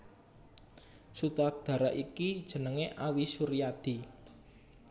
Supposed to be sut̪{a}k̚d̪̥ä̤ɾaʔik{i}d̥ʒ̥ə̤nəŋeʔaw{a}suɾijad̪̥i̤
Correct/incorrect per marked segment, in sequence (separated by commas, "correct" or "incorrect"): correct, correct, incorrect